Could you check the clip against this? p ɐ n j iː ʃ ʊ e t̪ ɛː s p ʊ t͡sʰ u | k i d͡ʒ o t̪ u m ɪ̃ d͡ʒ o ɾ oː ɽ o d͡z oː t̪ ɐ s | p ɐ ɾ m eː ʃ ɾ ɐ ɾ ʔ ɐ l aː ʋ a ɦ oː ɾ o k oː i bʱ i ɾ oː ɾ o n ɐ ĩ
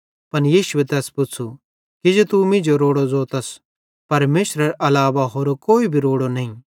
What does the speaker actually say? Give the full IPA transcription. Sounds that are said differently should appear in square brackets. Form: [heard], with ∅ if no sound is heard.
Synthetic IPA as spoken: p ɐ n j iː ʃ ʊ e t̪ ɛː s p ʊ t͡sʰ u | k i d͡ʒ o t̪ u m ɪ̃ d͡ʒ o ɾ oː ɽ o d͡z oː t̪ ɐ s | p ɐ ɾ m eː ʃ ɾ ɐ ɾ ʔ ɐ l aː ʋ a ɦ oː ɾ o k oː i bʱ i ɾ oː [ɽ] o n ɐ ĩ